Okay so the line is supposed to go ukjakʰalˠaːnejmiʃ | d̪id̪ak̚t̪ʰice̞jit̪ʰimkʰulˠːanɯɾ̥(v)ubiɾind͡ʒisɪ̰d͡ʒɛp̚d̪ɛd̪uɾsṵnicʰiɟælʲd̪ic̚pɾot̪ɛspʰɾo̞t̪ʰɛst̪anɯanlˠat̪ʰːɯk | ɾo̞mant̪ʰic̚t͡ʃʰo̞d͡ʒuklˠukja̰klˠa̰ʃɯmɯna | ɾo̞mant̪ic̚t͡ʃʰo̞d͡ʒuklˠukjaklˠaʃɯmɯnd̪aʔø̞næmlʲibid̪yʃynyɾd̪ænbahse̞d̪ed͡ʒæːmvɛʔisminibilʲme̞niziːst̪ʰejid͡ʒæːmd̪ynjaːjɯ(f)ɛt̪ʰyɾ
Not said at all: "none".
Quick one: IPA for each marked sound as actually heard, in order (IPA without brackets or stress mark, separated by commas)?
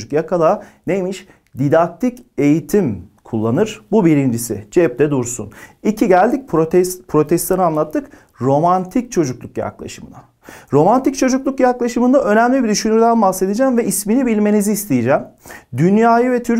b, v